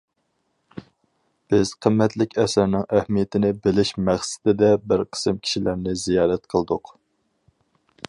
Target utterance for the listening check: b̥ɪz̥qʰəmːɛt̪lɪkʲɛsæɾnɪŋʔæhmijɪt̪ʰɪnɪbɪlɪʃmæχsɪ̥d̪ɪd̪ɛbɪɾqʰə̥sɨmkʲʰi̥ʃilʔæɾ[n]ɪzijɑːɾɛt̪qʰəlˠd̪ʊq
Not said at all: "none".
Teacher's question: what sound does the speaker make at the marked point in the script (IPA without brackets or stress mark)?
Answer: n